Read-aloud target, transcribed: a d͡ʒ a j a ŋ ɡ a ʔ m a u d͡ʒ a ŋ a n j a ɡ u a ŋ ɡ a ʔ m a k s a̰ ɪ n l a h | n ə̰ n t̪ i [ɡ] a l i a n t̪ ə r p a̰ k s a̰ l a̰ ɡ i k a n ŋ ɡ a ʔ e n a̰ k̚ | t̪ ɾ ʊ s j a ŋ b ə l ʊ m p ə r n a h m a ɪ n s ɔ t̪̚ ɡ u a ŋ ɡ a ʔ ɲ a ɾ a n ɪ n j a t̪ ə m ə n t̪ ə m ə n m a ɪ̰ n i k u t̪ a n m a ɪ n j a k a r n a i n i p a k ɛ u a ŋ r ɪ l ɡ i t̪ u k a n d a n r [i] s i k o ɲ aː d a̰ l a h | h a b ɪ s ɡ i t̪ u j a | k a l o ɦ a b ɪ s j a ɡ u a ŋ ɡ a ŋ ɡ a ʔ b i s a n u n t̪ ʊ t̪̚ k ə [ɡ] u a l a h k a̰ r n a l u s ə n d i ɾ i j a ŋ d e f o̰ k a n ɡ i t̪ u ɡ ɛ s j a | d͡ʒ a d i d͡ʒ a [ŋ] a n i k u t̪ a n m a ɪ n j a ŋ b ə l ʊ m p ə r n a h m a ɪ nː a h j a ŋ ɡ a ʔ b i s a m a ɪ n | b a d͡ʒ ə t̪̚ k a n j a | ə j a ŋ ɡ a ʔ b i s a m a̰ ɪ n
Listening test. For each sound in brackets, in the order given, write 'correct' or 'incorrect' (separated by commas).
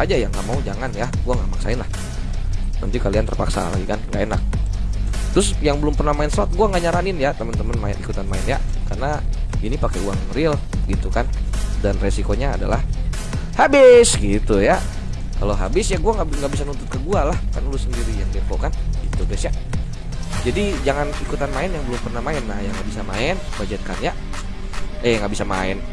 incorrect, incorrect, correct, correct